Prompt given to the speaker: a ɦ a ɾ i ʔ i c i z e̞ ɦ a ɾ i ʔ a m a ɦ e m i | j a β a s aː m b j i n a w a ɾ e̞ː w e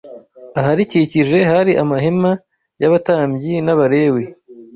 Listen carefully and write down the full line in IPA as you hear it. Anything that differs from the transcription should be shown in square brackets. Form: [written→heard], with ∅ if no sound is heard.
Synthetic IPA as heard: a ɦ a ɾ i [ʔ→c] i c i [z→ʒ] e̞ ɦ a ɾ i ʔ a m a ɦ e m [i→a] | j a β a [s→t] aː m b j i n a [w→β] a ɾ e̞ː w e